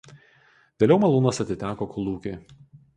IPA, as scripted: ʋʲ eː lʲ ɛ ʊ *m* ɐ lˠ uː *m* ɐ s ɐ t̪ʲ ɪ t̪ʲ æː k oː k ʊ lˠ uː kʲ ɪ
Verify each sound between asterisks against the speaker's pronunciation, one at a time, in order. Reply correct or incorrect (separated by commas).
correct, incorrect